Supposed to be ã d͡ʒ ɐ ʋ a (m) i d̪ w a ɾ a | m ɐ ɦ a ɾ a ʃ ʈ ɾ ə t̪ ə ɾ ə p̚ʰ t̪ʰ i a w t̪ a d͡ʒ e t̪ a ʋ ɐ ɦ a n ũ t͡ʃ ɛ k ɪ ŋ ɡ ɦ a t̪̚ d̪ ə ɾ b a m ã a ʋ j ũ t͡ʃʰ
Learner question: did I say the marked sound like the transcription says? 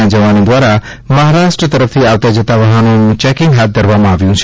no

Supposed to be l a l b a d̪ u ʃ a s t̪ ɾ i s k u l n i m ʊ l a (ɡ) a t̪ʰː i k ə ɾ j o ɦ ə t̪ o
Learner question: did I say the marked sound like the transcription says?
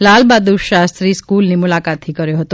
no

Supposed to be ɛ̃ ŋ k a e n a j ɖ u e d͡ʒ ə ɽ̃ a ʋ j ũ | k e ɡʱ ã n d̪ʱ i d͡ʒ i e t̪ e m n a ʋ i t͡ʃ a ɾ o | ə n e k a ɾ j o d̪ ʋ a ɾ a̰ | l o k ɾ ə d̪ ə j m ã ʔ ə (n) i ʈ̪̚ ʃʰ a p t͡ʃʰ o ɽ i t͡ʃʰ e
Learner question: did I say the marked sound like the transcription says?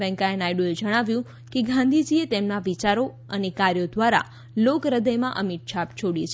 no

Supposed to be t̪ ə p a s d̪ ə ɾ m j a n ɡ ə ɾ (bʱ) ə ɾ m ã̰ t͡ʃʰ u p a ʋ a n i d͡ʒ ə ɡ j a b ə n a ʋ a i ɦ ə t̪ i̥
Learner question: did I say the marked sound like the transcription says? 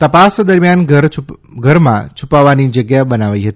no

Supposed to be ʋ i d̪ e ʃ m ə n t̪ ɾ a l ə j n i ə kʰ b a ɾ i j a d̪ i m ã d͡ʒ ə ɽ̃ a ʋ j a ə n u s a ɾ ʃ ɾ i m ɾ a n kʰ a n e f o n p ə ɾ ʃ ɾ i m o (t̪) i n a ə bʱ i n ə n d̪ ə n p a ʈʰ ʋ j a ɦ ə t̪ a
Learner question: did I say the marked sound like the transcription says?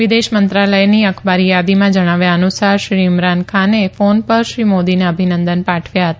no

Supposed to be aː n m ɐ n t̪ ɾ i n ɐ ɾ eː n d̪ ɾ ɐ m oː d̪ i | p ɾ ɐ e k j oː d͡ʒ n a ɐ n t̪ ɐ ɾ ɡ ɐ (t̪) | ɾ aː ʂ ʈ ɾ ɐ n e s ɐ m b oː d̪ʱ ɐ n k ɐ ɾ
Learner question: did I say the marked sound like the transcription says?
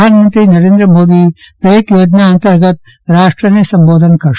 yes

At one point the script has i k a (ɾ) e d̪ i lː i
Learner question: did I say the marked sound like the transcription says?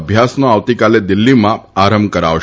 no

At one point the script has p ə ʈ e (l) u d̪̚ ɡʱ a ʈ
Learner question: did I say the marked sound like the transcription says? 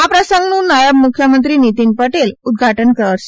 yes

